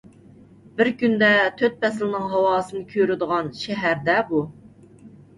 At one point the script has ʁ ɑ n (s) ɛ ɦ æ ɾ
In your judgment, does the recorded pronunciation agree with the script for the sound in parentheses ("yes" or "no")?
no